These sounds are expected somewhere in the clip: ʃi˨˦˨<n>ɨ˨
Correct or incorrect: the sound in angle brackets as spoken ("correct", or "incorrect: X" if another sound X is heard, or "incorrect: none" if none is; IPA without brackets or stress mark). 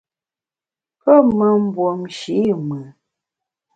incorrect: m